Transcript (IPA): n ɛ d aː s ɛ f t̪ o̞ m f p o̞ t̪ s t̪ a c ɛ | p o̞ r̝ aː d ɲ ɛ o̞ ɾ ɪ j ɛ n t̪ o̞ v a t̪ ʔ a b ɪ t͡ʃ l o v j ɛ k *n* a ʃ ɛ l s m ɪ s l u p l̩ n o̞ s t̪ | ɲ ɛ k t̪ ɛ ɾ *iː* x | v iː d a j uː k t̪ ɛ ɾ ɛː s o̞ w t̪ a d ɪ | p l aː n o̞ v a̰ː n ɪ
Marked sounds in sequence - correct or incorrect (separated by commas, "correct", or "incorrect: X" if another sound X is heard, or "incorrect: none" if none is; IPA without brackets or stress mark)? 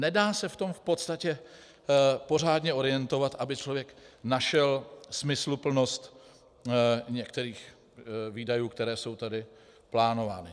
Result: correct, correct